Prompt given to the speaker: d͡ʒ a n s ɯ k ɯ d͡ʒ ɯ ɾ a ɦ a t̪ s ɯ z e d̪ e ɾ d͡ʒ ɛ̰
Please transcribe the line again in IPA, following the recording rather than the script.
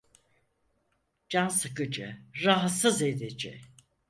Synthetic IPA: d͡ʒ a n s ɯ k ɯ d͡ʒ ɯ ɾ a ɦ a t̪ s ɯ z e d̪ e d͡ʒ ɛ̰